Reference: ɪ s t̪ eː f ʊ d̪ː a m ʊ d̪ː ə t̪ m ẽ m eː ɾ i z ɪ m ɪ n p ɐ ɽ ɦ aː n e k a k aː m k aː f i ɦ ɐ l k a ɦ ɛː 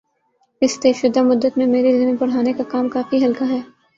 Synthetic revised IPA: ɪ s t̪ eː ʃ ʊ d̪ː a m ʊ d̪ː ə t̪ m ẽ m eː ɾ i z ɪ m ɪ n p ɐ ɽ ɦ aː n e k a k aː m k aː f i ɦ ɐ l k a ɦ ɛː